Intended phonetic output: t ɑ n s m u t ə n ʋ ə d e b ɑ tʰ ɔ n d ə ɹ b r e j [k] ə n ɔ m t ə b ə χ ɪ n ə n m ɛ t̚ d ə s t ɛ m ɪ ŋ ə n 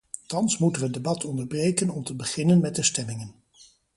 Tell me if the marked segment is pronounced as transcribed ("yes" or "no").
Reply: yes